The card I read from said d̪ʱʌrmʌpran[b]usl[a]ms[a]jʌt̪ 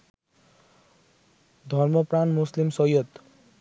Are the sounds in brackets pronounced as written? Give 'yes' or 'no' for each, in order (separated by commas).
no, no, no